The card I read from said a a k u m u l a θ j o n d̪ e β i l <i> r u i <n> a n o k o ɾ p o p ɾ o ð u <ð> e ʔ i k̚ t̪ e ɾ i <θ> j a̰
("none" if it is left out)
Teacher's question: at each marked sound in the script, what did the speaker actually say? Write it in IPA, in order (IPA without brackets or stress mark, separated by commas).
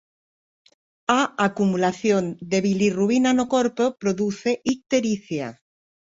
i, n, θ, θ